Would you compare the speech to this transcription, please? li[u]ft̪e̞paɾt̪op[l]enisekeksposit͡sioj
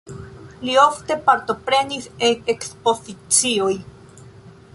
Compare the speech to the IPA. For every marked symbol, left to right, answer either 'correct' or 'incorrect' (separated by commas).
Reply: incorrect, incorrect